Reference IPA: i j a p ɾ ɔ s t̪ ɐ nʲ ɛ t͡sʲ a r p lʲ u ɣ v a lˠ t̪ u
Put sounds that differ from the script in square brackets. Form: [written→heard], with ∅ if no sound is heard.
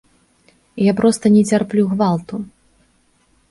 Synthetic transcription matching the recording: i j a p ɾ ɔ s t̪ ɐ nʲ ɛ t͡sʲ a r p lʲ u ɣ v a lˠ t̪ u

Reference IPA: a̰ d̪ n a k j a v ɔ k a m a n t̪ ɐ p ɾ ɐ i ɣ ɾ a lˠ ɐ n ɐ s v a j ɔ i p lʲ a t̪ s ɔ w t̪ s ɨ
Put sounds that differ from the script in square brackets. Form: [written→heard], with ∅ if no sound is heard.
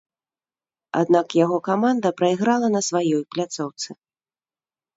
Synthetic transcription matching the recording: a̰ d̪ n a k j a [v→ɣ] ɔ k a m a n [t̪→d̪] ɐ p ɾ ɐ i ɣ ɾ a lˠ ɐ n ɐ s v a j ɔ [i→j] p lʲ a t̪ s ɔ w t̪ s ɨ

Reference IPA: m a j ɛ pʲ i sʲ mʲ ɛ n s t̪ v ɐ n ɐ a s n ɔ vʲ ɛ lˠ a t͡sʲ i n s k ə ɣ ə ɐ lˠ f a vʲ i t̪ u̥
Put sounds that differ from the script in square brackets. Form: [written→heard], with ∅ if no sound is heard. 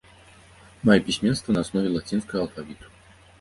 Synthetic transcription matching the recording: m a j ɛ pʲ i sʲ mʲ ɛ n s t̪ v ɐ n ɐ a s n ɔ vʲ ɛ lˠ a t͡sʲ i n s k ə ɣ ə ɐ lˠ f a vʲ i t̪ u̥

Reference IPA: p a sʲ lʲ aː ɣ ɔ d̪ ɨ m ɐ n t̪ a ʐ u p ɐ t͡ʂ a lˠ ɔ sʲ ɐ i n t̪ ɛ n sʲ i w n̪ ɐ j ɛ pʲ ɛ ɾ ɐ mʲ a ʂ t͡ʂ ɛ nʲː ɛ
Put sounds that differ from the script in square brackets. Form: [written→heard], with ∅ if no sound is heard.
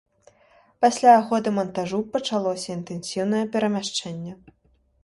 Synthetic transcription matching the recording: p a sʲ lʲ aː ɣ ɔ d̪ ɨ m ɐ n t̪ a ʐ u p ɐ t͡ʂ a lˠ ɔ sʲ ɐ i n t̪ ɛ n sʲ i w n̪ ɐ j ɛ pʲ ɛ ɾ ɐ mʲ a ʂ t͡ʂ ɛ nʲː ɛ

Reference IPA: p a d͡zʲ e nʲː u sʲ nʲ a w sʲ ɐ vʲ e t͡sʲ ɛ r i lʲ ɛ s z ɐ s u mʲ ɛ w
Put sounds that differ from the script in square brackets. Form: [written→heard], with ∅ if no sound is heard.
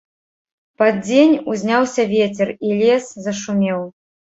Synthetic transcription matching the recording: p a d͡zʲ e [nʲː→nʲ] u [sʲ→zʲ] nʲ a w sʲ ɐ vʲ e t͡sʲ ɛ r i lʲ ɛ s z ɐ [s→ʂ] u mʲ ɛ w

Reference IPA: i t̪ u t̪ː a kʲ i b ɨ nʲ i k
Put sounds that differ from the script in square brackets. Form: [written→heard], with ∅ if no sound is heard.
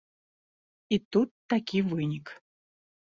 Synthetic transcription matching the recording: i t̪ u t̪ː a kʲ i [b→v] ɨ nʲ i k

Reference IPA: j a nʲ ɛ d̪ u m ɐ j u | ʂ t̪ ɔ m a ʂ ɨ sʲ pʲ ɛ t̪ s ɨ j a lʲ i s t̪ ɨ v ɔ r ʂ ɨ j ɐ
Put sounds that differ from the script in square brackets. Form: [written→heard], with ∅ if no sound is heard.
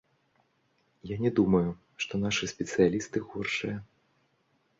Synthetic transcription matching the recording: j a nʲ ɛ d̪ u m ɐ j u | ʂ t̪ ɔ [m→n] a ʂ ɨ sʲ pʲ ɛ t̪ s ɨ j a lʲ i s t̪ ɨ [v→ɣ] ɔ r ʂ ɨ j ɐ

